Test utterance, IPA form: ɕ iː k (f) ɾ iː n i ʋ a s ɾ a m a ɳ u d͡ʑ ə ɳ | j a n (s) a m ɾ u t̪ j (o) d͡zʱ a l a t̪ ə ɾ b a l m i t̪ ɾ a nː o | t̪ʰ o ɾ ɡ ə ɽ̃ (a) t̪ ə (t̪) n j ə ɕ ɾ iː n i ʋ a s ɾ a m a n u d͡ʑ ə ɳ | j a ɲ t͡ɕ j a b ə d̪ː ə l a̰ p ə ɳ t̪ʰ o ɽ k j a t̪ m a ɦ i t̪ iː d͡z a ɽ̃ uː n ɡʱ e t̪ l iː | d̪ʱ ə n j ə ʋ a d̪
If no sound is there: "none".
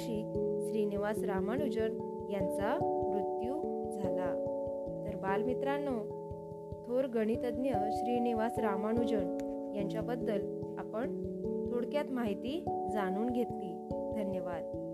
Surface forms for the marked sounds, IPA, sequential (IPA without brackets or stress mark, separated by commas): ɕ, t͡s, u, i, d̪